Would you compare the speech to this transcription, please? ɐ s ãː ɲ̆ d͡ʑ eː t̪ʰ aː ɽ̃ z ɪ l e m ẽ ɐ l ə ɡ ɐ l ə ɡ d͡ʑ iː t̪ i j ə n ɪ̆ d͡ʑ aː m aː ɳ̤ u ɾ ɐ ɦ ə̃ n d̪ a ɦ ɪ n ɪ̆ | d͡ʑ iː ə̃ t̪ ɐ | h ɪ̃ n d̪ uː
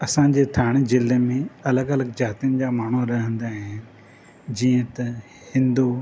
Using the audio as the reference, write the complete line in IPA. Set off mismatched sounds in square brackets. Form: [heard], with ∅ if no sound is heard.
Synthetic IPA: ɐ s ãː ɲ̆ d͡ʑ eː t̪ʰ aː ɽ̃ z ɪ l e m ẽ ɐ l ə ɡ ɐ l ə ɡ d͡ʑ [aː] t̪ i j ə n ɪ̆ d͡ʑ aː m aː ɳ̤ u ɾ ɐ ɦ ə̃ n d̪ a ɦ ɪ n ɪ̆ | d͡ʑ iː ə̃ t̪ ɐ | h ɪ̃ n d̪ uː